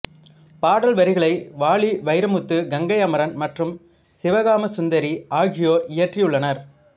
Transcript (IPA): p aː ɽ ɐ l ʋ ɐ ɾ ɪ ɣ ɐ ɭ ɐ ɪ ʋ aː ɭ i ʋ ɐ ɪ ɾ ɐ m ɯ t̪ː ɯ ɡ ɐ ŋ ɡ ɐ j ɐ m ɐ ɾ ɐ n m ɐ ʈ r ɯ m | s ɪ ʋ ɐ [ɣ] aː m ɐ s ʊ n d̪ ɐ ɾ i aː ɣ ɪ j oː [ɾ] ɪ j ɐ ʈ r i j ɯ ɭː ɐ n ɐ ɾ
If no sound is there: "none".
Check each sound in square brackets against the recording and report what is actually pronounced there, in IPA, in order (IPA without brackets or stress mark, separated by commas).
ɣ, ɾ